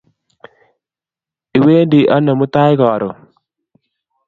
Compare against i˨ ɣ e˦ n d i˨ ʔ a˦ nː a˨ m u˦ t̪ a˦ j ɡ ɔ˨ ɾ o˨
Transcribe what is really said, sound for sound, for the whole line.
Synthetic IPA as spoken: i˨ w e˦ n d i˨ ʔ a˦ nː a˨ m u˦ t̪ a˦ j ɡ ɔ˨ ɾ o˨

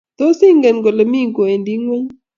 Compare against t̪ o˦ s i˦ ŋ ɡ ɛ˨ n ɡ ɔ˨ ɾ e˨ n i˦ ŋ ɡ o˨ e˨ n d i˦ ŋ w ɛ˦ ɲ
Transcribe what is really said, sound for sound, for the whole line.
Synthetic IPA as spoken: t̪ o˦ s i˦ ŋ ɡ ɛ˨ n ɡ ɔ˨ l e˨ m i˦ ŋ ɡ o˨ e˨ n d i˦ ŋ w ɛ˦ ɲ

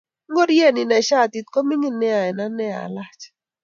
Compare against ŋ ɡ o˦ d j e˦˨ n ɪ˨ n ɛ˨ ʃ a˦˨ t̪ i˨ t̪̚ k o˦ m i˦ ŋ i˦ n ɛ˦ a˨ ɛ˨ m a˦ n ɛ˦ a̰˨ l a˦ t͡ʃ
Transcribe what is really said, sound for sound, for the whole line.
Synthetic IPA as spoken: ŋ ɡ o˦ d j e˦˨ n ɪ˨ n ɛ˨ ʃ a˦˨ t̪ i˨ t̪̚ k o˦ m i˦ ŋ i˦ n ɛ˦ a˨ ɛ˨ n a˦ n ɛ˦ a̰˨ l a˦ t͡ʃ

